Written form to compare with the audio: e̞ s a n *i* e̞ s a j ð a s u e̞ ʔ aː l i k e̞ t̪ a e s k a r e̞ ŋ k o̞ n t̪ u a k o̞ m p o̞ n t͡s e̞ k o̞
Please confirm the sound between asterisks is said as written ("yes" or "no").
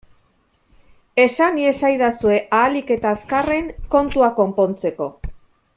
yes